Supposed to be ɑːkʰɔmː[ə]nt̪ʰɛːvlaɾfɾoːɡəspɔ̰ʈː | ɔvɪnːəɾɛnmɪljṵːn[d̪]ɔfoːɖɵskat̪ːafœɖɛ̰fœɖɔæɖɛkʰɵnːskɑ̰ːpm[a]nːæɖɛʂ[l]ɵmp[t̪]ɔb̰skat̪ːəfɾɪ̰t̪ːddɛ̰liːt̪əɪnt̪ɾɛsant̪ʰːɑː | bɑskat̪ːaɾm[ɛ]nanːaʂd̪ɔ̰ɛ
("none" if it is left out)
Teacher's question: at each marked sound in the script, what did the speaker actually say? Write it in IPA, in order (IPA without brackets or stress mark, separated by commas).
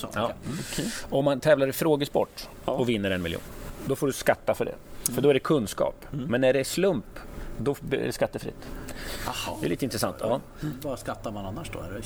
a, d̪, ɛ, l, d̪, a